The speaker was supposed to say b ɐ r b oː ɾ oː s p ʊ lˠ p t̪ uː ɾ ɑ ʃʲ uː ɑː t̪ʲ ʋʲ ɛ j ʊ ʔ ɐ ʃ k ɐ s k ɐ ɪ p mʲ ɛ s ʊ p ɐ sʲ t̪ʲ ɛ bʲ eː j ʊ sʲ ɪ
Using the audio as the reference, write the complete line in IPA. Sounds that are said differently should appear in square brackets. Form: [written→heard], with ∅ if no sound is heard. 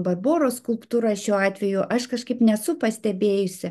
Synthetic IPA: b ɐ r b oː ɾ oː s [p→k] ʊ lˠ p t̪ uː ɾ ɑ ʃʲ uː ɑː t̪ʲ ʋʲ ɛ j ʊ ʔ ɐ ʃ k ɐ [s→ʃ] k ɐ ɪ p [mʲ→nʲ] ɛ s ʊ p ɐ sʲ t̪ʲ ɛ bʲ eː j ʊ sʲ ɪ